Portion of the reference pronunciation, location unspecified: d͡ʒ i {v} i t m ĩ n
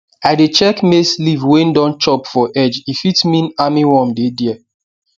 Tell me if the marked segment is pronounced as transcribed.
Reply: no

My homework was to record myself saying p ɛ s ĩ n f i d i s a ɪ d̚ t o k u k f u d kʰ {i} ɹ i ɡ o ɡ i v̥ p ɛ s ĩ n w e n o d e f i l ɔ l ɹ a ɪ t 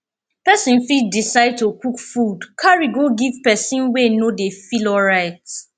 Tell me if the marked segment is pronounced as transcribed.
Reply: no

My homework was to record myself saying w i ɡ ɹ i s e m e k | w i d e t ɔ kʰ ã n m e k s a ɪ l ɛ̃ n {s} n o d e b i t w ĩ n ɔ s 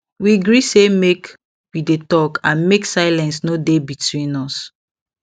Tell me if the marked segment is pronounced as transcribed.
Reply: yes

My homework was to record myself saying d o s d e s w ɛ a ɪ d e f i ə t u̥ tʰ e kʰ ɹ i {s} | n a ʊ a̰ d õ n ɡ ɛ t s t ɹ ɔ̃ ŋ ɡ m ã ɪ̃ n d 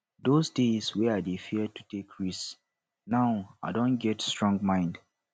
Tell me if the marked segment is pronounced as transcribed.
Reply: yes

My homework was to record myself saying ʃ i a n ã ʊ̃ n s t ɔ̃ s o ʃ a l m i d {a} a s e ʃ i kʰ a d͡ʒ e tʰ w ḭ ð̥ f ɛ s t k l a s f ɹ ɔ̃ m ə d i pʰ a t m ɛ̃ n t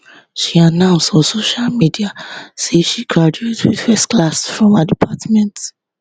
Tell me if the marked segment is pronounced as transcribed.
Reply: no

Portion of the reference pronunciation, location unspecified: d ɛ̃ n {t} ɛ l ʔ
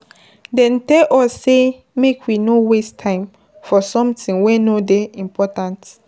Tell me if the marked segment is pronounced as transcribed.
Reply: yes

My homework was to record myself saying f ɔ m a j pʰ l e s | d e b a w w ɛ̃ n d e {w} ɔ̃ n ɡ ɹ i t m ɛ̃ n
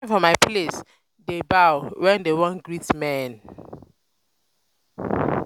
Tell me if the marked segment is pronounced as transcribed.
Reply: yes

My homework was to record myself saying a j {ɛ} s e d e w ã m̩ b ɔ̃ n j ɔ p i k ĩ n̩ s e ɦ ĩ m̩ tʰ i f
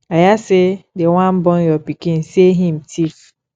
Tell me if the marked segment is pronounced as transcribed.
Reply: no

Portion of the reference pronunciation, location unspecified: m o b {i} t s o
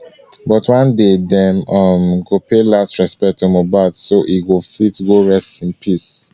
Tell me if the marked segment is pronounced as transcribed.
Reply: no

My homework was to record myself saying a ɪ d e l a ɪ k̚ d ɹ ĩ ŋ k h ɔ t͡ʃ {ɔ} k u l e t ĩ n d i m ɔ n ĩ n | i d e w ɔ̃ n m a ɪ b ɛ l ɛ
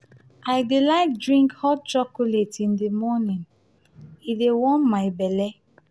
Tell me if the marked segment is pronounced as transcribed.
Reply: yes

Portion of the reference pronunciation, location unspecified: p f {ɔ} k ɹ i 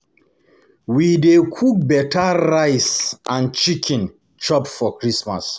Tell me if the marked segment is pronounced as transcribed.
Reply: yes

